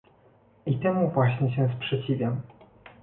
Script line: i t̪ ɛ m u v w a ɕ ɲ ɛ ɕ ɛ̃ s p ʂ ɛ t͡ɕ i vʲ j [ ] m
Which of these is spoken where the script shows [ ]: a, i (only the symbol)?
a